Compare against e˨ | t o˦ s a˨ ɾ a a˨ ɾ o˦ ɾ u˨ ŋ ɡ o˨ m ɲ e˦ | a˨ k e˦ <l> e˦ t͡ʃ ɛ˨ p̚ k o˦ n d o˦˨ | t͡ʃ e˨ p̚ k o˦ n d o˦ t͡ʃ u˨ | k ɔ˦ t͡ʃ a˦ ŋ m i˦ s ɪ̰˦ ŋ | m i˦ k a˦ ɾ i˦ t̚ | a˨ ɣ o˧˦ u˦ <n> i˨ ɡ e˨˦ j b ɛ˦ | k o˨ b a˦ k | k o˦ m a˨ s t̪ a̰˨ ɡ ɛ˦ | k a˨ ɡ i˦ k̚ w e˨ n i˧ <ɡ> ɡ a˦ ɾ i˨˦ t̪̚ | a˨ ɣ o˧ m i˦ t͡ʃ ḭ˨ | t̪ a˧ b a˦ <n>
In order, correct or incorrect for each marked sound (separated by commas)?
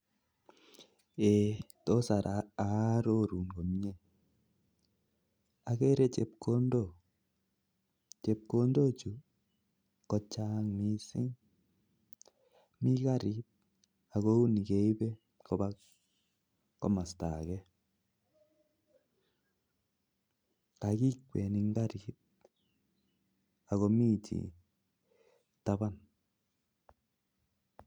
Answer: incorrect, correct, incorrect, correct